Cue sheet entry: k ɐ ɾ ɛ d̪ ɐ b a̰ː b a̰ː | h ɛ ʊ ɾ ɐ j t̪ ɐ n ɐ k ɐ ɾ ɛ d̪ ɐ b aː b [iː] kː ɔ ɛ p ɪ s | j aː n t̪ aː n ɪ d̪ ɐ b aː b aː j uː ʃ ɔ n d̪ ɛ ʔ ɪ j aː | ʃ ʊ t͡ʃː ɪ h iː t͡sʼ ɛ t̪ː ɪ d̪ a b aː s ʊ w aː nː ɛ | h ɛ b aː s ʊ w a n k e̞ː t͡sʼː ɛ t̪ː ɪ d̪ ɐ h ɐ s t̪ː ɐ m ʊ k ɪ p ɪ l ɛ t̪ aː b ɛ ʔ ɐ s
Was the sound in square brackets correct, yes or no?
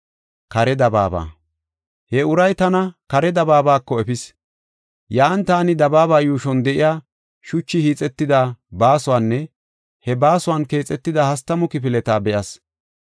no